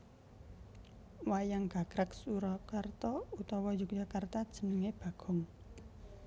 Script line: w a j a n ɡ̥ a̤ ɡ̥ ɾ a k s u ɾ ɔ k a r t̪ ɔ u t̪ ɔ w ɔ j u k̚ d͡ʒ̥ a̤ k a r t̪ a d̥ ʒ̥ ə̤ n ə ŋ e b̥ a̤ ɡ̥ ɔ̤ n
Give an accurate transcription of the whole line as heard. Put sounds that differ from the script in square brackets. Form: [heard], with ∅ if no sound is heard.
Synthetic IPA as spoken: w a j a [ŋ] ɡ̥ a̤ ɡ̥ ɾ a k s u ɾ ɔ k a r t̪ ɔ u t̪ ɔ w ɔ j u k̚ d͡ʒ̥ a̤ k a r t̪ a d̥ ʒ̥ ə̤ n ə ŋ e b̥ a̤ ɡ̥ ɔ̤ [ŋ]